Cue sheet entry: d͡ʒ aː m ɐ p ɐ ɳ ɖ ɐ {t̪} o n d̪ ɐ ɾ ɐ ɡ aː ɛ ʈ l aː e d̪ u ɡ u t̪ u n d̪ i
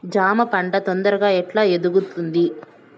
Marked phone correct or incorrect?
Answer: correct